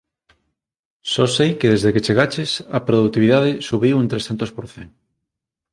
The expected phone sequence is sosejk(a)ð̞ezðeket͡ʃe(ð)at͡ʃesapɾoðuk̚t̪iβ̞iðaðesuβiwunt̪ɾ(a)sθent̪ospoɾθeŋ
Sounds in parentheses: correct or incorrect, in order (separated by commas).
incorrect, incorrect, incorrect